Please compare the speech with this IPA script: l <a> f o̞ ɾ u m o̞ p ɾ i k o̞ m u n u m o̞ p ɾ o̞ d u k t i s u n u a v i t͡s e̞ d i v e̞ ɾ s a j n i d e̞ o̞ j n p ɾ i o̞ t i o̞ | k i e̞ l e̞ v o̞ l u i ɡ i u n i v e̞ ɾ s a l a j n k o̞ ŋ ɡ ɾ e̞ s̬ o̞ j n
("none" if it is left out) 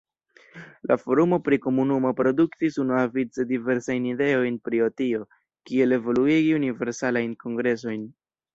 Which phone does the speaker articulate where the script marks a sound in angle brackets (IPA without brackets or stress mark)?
a